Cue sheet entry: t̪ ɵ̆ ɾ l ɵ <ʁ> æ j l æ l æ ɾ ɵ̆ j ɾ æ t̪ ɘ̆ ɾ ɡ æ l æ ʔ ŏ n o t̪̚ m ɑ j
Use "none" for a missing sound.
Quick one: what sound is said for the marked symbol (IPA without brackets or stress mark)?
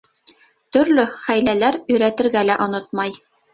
χ